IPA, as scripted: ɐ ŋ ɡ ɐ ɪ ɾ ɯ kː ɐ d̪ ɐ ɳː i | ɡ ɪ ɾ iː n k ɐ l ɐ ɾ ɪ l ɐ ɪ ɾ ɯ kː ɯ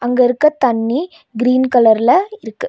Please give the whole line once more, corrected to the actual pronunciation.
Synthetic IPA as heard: ɐ ŋ ɡ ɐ ɪ ɾ ɯ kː ɐ t̪ ɐ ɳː i | ɡ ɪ ɾ iː n k ɐ l ɐ ɾ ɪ l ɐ ɪ ɾ ɯ kː ɯ